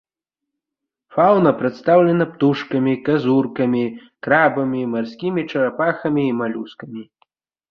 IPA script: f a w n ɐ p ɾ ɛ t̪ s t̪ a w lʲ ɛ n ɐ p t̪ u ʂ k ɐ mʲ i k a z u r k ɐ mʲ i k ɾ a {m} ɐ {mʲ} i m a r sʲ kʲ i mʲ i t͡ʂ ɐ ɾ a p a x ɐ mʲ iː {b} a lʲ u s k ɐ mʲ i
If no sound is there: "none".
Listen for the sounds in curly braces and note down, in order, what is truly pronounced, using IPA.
b, mʲ, m

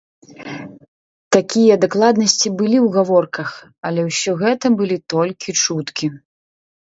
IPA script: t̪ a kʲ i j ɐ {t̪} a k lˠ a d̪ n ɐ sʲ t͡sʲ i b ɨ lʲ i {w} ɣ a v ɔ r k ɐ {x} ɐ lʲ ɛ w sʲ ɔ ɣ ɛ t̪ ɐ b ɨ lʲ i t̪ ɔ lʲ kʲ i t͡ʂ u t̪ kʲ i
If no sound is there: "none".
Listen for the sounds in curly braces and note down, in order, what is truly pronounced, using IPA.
d̪, w, x

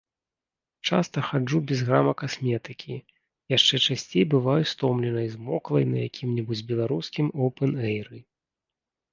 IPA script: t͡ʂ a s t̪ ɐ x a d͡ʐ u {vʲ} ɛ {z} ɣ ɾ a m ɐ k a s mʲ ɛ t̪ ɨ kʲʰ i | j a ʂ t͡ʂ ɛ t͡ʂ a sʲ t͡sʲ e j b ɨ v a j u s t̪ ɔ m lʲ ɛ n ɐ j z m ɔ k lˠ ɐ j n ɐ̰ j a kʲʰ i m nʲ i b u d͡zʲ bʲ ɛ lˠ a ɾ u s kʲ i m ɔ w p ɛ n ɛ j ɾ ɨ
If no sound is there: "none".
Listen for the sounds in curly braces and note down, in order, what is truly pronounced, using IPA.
bʲ, z

